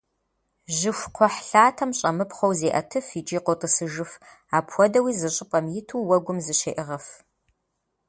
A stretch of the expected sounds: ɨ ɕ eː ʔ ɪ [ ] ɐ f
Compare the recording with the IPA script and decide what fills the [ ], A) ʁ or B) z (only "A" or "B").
A